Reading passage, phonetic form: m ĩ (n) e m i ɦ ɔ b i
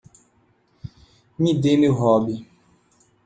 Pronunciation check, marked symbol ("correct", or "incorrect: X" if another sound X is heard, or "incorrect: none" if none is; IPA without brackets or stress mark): incorrect: d